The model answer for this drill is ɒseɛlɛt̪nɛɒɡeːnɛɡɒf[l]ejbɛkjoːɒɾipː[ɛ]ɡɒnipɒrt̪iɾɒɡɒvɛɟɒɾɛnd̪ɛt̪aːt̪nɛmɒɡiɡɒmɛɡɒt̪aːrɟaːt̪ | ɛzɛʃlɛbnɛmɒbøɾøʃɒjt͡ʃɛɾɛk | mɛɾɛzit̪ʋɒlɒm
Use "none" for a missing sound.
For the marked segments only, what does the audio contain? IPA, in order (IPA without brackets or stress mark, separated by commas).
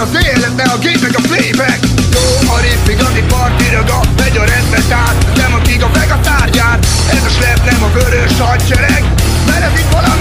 l, i